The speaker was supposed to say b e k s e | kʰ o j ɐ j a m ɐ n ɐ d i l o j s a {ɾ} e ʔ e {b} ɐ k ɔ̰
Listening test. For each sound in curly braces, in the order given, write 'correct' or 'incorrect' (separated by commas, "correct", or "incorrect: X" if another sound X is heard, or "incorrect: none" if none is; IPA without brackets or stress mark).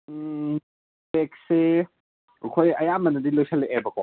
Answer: incorrect: l, correct